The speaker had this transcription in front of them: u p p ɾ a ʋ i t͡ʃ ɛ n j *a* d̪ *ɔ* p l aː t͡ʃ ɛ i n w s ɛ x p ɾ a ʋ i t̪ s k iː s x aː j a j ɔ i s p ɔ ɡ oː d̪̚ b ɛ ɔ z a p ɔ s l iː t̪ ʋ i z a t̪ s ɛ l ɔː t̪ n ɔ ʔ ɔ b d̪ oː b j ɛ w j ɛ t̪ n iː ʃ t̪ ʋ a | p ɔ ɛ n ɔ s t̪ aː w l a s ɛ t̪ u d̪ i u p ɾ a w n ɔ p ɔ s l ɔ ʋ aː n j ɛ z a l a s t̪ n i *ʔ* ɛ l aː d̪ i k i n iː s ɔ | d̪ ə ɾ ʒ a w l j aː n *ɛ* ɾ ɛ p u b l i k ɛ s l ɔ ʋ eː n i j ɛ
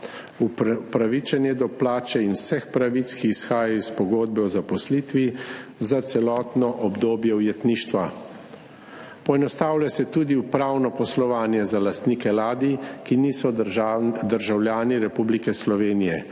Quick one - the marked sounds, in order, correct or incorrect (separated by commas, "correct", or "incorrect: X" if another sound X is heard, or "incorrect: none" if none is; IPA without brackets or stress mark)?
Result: incorrect: ɛ, correct, incorrect: k, incorrect: i